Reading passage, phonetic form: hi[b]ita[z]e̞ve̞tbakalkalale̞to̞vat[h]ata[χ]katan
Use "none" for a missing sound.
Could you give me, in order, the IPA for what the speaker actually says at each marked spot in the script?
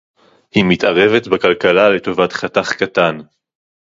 m, ʁ, χ, χ

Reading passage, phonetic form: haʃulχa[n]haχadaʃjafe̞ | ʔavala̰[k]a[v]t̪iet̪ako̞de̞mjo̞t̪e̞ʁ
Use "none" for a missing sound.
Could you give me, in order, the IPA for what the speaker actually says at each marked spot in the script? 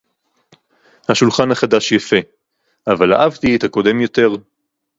n, ʔ, v

